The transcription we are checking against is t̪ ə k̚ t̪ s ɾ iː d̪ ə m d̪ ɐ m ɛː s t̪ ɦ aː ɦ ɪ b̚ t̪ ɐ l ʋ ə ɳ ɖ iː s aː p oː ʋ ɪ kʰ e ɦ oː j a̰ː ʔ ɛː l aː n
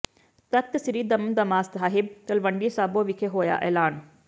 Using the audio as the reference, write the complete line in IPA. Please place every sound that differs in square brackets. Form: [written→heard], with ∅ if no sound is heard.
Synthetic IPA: t̪ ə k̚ t̪ s ɾ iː d̪ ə m d̪ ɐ m [ɛː→aː] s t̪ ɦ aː ɦ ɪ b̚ t̪ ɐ l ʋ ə ɳ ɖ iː s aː [p→b] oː ʋ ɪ kʰ e ɦ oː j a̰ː ʔ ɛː l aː n